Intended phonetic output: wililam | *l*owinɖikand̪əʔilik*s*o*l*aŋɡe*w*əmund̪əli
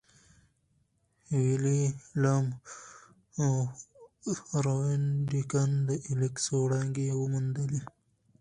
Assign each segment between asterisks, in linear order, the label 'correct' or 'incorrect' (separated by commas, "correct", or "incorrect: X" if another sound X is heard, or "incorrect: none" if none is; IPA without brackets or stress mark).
incorrect: ɾ, correct, incorrect: ɽ, correct